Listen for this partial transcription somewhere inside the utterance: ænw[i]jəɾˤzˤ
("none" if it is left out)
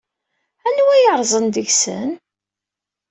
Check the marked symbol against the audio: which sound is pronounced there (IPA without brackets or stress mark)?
æ